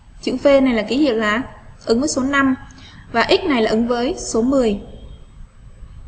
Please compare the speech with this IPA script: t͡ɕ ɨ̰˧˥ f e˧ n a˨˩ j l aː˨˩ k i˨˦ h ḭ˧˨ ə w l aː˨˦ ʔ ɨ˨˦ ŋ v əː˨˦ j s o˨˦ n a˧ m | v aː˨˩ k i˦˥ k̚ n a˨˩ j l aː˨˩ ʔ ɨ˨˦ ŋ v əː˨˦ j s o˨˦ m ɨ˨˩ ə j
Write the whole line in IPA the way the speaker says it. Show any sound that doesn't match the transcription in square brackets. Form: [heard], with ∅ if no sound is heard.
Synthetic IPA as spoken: t͡ɕ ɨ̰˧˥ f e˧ n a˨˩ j l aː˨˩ k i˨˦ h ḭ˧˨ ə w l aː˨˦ ʔ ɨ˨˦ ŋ v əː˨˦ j s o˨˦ n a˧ m | v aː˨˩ [ʔ] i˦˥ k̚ n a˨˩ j l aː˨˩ ʔ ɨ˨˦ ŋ v əː˨˦ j s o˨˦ m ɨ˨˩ ə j